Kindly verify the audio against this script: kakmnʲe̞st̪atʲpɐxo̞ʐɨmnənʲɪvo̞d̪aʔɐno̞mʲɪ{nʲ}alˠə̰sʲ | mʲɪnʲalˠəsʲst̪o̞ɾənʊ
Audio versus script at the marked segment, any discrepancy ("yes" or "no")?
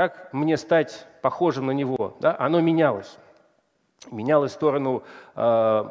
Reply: no